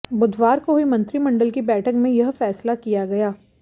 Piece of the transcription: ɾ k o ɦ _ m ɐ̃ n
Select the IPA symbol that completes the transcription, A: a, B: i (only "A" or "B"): B